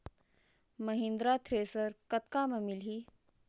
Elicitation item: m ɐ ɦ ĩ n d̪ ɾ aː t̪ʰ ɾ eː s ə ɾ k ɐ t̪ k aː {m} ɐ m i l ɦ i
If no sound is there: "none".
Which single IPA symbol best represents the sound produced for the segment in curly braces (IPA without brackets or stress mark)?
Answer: m